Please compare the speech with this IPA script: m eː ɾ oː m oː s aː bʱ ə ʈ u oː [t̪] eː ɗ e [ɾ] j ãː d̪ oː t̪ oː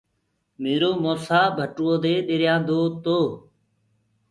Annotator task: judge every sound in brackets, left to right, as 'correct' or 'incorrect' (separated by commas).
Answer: incorrect, correct